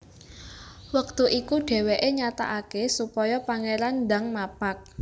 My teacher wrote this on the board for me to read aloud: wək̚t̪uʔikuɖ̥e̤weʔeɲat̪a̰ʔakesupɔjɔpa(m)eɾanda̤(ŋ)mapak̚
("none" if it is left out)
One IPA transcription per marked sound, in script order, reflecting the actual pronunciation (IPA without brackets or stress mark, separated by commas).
ŋ, ŋ